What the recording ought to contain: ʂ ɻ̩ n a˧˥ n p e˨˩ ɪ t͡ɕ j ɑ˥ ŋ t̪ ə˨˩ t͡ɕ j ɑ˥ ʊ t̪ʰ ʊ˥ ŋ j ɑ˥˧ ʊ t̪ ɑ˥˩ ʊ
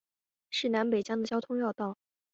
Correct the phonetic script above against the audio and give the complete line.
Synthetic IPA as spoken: ʂ ɻ̩ n a˧˥ n p e˨˩ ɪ t͡ɕ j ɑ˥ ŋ d̪ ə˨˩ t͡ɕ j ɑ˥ ʊ t̪ʰ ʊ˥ ŋ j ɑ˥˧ ʊ t̪ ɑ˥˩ ʊ